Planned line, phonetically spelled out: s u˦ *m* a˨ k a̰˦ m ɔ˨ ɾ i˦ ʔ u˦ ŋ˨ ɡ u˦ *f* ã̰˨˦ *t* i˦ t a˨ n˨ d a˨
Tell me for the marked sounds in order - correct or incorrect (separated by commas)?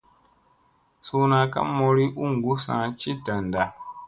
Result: incorrect, incorrect, incorrect